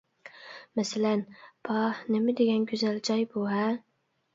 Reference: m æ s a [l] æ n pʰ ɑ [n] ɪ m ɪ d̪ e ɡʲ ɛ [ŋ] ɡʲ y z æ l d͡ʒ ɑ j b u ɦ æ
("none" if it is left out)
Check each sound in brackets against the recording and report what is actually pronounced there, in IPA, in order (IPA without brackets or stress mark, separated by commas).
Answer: l, n, n